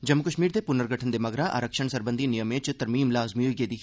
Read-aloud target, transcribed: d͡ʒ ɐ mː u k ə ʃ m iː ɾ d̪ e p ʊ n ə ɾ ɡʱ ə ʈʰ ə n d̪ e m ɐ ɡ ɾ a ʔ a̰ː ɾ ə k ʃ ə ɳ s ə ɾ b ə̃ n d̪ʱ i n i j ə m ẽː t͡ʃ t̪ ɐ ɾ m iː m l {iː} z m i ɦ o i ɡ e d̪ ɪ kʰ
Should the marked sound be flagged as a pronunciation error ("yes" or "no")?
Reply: yes